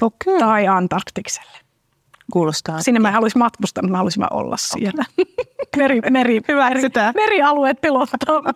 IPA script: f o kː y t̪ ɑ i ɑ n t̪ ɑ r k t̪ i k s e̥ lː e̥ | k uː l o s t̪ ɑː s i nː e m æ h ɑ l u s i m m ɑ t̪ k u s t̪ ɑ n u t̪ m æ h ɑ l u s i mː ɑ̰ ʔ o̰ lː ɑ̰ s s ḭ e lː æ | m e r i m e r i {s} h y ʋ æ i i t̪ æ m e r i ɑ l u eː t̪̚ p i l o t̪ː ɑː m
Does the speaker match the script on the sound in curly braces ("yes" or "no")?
no